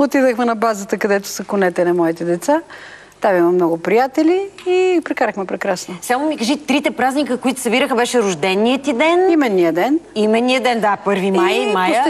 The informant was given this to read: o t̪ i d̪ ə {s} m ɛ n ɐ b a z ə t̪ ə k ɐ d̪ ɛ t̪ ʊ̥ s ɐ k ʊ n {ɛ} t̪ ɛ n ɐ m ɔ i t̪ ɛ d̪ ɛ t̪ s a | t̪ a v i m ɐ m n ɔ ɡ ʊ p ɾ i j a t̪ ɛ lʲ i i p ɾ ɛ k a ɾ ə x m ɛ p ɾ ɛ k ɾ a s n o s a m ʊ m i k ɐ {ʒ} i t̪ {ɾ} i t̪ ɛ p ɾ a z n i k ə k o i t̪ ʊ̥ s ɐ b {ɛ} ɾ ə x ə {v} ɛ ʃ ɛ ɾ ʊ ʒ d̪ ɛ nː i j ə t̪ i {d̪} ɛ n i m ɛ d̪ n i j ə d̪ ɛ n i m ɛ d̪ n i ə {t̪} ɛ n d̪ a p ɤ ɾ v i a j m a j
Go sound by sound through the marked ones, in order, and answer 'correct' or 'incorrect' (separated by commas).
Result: incorrect, correct, correct, correct, incorrect, incorrect, correct, incorrect